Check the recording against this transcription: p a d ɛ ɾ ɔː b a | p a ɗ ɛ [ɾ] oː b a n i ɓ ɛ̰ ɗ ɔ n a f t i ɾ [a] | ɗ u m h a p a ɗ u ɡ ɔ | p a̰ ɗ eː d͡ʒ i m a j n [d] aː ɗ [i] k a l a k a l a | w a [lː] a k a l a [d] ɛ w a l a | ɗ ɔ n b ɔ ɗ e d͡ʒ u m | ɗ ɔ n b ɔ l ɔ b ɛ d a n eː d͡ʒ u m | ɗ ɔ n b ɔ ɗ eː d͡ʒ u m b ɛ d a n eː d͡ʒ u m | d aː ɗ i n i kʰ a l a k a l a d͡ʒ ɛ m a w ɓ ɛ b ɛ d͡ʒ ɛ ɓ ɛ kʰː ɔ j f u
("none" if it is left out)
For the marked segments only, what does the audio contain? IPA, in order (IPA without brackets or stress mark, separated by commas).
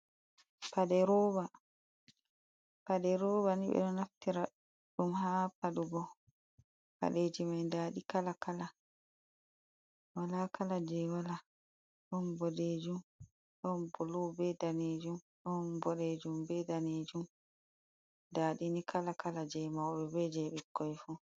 ɾ, a, d, i, l, d͡ʒ